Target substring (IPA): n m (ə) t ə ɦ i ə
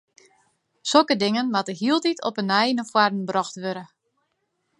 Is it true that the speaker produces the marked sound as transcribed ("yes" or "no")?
no